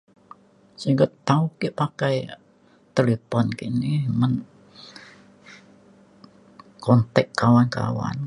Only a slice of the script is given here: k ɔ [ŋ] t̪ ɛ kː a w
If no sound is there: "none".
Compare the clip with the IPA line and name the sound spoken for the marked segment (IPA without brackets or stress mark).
n